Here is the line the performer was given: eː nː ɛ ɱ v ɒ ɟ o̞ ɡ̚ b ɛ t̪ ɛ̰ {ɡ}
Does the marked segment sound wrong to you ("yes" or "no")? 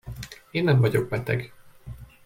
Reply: no